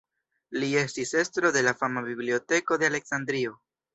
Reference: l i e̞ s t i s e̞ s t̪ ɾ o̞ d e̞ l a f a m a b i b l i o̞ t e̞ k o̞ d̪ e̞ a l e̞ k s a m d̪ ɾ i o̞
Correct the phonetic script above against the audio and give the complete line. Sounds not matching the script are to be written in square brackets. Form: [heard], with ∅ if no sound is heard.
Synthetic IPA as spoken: l i e̞ s t i s e̞ s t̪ ɾ o̞ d e̞ l a f a m a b i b l i o̞ t e̞ k o̞ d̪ e̞ a l e̞ k s a [n] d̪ ɾ i o̞

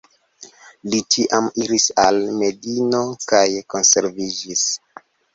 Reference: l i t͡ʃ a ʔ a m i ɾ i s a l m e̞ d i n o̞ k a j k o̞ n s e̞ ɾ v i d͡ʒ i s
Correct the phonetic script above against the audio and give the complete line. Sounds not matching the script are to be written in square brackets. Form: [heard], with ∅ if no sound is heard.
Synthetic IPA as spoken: l i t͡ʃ [i] ʔ a m i ɾ i s a l m e̞ d i n o̞ k a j k o̞ n s e̞ ɾ v i d͡ʒ i s

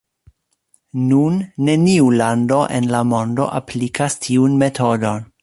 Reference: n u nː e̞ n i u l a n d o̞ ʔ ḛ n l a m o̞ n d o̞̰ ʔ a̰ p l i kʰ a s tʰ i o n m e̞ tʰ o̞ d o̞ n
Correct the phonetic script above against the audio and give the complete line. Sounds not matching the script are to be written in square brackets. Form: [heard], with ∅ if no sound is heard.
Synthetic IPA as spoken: n u nː e̞ n i u l a n d o̞ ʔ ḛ n l a m o̞ n d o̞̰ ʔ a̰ p l i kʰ a s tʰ i [u] n m e̞ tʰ o̞ d o̞ n

